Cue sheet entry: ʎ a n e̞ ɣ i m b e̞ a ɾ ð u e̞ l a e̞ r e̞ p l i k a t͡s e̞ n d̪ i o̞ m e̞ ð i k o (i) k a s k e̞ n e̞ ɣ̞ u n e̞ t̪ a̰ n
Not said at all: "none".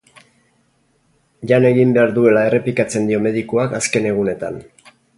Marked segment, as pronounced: a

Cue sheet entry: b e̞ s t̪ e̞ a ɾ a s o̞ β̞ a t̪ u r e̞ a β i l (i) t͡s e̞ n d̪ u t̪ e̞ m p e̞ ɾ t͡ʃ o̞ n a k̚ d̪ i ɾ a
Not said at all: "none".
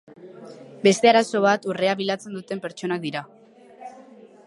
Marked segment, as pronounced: a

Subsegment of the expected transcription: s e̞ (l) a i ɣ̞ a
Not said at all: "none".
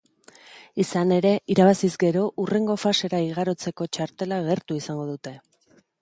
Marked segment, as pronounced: ɾ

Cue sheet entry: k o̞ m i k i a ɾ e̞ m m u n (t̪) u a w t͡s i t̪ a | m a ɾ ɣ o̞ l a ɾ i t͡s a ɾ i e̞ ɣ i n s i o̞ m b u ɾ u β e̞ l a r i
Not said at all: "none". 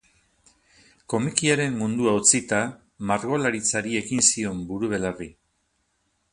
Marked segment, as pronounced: d̪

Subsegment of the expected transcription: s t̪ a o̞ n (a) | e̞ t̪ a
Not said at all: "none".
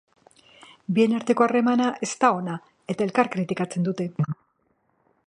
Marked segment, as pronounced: a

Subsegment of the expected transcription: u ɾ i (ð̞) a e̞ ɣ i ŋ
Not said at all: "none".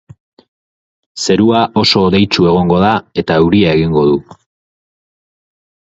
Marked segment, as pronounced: none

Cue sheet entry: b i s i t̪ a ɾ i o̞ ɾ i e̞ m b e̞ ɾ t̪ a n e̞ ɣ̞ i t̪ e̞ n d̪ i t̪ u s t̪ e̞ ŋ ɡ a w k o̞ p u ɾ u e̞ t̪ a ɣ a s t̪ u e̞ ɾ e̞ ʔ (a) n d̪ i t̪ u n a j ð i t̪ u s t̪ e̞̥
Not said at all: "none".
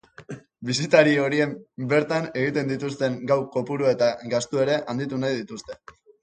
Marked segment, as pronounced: a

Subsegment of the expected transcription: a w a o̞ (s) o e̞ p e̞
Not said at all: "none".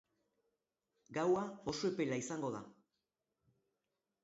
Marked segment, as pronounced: s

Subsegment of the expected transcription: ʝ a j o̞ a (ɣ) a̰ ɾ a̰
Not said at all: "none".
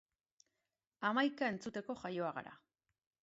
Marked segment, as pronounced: ɣ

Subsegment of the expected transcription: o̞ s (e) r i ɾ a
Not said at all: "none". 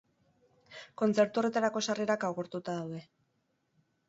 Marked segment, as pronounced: a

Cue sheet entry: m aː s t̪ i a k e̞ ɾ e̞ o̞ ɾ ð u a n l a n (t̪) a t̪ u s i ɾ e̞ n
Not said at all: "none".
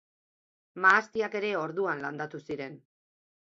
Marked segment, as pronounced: d̪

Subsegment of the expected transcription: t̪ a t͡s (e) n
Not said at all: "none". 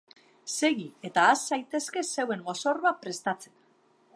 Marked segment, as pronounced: e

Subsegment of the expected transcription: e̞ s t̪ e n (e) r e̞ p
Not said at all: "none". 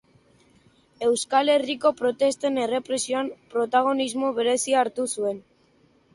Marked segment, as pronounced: e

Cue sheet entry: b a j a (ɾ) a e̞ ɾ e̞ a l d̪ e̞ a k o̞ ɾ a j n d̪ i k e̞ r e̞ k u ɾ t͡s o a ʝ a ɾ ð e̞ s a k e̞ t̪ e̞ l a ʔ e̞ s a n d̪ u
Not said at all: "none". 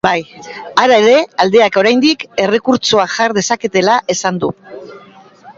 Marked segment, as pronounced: ɾ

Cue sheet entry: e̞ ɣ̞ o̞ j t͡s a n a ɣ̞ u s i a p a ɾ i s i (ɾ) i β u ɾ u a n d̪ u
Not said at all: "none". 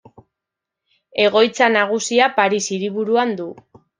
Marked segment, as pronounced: ɾ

